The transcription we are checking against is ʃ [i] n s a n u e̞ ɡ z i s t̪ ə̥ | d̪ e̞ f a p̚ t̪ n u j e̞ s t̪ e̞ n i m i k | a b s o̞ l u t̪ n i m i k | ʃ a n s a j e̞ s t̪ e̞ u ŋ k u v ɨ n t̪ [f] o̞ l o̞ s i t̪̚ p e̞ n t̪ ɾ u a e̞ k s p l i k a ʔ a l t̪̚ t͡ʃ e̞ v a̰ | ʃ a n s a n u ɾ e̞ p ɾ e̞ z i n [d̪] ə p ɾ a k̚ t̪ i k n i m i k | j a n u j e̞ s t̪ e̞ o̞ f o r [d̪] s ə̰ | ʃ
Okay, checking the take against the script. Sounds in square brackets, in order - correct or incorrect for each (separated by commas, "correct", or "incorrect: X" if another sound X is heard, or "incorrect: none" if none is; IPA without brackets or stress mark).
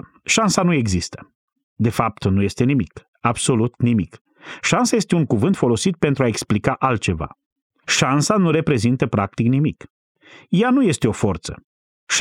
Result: incorrect: a, correct, incorrect: t̪, incorrect: t̪